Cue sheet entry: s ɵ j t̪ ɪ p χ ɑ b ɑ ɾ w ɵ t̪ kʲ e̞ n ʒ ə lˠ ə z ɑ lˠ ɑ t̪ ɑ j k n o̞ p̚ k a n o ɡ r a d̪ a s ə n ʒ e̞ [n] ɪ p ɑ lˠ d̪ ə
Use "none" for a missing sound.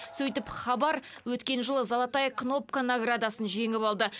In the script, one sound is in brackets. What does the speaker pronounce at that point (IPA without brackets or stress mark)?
ŋ